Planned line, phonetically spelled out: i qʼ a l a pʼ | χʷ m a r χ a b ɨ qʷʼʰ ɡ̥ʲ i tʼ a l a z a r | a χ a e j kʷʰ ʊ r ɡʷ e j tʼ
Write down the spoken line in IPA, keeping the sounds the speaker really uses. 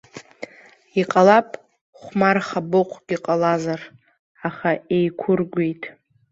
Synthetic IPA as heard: i qʼ a l a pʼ | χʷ m a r χ a b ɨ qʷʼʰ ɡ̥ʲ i qʼ a l a z a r | a χ a e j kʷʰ ʊ r ɡʷ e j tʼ

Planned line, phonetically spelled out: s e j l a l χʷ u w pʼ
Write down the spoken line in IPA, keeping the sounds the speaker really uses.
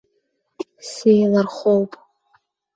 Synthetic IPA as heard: s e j l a r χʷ o w pʼ

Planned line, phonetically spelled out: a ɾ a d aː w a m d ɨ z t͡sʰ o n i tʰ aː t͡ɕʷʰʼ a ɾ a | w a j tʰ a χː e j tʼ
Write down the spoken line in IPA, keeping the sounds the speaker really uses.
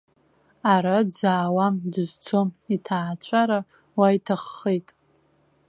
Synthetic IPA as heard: a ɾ a d͡z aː w a m d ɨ z t͡sʰ o m i tʰ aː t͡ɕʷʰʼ a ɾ a | w a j tʰ a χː e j tʼ

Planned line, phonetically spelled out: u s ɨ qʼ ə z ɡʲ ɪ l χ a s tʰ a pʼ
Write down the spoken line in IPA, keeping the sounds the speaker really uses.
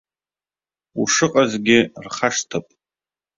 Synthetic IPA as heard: u ʂ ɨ qʼ a z ɡʲ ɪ r χ a ʂ tʰ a pʼ

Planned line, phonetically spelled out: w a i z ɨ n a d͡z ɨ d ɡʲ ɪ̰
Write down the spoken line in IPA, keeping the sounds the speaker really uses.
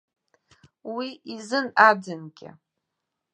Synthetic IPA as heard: w i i z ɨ n a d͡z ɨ n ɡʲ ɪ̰

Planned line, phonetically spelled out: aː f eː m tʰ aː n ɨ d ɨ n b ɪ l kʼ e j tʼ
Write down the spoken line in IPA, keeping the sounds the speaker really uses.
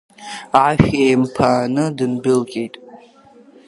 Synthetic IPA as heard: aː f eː m pʰ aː n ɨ d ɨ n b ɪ l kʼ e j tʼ

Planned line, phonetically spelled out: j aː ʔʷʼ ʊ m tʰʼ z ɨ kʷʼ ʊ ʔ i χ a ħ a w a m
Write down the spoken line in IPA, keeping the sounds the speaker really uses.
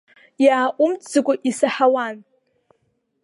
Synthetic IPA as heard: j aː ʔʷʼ ʊ m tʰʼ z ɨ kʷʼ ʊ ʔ i s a ħ a w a n

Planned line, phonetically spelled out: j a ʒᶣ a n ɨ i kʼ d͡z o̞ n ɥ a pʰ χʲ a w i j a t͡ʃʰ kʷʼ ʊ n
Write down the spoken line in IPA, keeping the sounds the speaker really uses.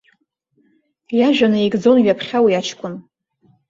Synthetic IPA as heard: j a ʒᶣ a n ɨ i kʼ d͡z o̞ n ɥ a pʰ χʲ a w i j a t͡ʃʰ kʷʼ ʊ n

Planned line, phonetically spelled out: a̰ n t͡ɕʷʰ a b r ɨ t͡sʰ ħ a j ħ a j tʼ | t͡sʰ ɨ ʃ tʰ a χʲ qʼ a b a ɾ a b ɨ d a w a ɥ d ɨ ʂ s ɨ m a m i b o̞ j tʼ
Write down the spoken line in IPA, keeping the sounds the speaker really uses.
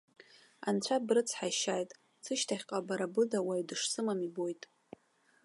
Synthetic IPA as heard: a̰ n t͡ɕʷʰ a b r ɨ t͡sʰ ħ a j ʃ a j tʼ | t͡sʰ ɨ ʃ tʰ a χʲ qʼ a b a ɾ a b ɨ d a w a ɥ d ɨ ʂ s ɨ m a m i b o̞ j tʼ

